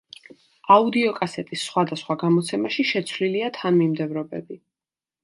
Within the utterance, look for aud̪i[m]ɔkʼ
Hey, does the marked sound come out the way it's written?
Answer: no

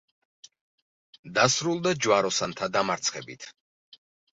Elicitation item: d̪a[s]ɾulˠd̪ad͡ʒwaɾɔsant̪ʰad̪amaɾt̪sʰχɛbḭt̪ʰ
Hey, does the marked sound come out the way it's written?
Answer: yes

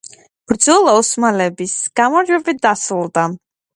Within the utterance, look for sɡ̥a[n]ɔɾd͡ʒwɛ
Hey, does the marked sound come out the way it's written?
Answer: no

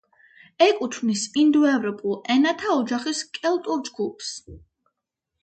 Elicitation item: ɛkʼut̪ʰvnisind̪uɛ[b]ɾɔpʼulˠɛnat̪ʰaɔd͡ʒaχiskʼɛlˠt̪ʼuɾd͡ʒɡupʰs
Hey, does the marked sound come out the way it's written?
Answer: no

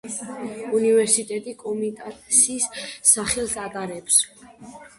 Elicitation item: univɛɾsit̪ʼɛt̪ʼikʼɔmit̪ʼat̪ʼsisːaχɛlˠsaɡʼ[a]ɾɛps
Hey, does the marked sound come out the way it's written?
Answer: yes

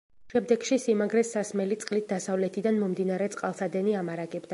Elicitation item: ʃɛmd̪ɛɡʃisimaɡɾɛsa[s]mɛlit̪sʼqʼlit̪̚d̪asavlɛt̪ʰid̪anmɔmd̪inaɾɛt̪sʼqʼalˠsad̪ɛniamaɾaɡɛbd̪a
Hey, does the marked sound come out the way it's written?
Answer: yes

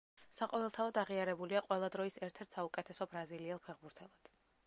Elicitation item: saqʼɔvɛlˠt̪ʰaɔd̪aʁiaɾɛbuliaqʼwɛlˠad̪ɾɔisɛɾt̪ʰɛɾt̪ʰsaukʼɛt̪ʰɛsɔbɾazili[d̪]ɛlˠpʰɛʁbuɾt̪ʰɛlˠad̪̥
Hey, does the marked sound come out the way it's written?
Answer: no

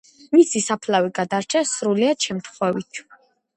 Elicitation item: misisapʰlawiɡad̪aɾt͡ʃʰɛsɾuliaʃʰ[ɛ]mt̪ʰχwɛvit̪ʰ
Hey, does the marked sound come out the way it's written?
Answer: yes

